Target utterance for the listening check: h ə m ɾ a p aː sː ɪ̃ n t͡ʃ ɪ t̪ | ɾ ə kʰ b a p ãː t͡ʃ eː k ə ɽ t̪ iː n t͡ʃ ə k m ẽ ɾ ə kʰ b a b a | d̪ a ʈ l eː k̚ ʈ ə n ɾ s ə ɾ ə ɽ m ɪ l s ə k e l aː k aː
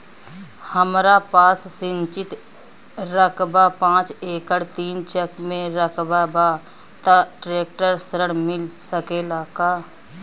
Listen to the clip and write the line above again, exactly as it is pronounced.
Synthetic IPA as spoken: h ə m ɾ a p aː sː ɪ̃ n t͡ʃ ɪ t̪ | ɾ ə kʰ b a p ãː t͡ʃ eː k ə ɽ t̪ iː n t͡ʃ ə k m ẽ ɾ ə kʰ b a b a | t̪ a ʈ ɾ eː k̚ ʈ ə ɾ s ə ɾ ə ɽ m ɪ l s ə k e l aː k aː